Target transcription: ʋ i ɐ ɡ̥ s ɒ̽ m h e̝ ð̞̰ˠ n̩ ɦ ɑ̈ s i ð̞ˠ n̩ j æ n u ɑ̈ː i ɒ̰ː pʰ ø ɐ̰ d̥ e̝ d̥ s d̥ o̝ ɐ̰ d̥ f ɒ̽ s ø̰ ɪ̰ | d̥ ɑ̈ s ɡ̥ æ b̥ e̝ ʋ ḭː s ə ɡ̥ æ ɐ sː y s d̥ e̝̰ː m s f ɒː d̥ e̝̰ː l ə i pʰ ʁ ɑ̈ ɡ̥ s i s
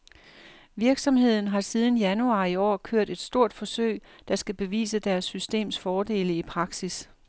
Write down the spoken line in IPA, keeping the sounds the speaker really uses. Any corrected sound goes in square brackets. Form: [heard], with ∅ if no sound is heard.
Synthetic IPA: ʋ i ɐ ɡ̥ s ɒ̽ m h e̝ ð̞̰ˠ n̩ ɦ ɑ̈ s i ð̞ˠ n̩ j æ n u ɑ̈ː i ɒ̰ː [kʰ] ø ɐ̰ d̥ e̝ d̥ s d̥ o̝ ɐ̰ d̥ f ɒ̽ s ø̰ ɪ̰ | d̥ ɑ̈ s ɡ̥ æ b̥ e̝ ʋ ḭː s ə [d̥] æ ɐ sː y s d̥ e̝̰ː m s f ɒː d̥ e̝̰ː l ə i pʰ ʁ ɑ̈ ɡ̥ s i s